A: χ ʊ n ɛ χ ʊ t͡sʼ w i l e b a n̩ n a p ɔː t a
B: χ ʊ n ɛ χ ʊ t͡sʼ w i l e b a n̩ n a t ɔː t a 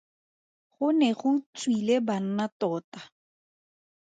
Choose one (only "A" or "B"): B